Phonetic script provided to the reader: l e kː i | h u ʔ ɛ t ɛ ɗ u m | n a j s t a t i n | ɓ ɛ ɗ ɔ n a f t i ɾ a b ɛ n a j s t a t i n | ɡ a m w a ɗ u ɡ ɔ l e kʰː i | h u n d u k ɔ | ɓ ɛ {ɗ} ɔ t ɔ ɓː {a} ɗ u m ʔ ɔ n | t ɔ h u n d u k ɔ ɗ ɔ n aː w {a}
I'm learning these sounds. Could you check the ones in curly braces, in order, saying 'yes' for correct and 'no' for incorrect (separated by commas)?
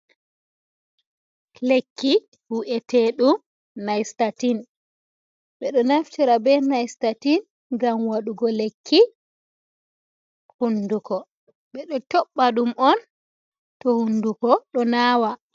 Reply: yes, yes, yes